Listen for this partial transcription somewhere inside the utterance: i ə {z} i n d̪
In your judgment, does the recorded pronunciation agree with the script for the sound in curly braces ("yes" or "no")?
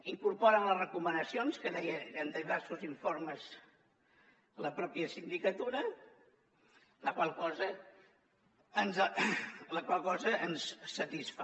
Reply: no